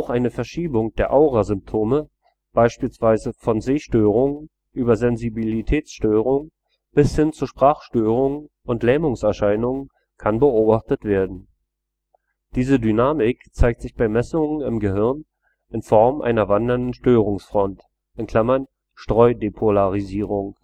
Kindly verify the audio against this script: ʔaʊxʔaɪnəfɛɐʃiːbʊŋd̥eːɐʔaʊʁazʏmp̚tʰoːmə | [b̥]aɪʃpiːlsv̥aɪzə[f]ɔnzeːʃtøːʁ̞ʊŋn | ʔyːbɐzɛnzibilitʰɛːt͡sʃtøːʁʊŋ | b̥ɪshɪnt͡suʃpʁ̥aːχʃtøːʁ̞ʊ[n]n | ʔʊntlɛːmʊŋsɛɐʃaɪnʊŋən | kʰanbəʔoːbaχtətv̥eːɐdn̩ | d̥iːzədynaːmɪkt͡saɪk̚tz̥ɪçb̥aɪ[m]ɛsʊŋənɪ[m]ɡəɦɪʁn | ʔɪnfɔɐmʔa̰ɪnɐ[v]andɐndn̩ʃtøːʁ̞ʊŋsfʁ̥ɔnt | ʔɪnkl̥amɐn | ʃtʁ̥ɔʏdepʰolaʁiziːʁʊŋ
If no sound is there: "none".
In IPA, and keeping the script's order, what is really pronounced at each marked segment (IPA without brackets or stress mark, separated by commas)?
b̥, f, ŋ, m, m, v